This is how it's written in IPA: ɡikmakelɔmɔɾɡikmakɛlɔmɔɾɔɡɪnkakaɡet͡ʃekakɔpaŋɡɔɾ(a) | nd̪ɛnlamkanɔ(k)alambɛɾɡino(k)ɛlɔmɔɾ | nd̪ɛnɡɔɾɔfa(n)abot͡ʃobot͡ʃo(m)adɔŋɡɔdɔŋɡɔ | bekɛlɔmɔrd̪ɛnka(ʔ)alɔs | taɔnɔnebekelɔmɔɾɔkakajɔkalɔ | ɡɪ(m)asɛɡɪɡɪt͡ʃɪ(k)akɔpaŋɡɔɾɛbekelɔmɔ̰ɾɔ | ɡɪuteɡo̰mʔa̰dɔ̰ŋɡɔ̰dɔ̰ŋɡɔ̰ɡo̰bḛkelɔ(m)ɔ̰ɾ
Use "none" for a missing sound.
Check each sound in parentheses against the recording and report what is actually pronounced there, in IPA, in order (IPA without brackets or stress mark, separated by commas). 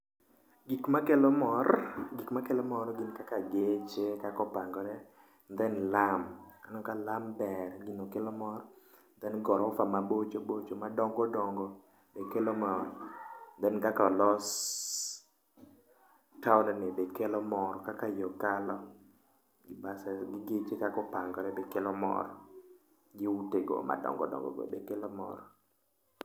ɛ, k, k, m, m, k, b, k, m